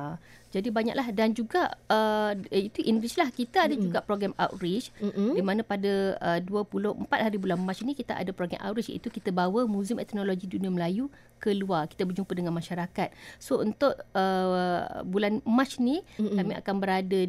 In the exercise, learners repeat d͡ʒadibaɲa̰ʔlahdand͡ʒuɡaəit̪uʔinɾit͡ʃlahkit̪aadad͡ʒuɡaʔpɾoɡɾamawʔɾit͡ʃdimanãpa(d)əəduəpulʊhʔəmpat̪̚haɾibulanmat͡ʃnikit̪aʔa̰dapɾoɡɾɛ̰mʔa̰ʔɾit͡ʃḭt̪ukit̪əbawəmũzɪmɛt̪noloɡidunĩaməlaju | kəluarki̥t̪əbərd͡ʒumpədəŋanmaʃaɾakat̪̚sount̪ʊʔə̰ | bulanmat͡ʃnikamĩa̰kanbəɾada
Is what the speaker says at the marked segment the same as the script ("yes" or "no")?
yes